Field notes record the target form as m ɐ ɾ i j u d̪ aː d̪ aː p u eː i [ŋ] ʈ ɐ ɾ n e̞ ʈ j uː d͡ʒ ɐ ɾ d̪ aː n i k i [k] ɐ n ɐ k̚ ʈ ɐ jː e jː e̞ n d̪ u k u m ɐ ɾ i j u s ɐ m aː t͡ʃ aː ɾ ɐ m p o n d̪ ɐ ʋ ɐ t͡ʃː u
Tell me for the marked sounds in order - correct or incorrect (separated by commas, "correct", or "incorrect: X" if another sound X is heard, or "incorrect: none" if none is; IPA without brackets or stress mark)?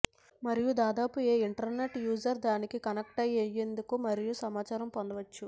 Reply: incorrect: ɳ, correct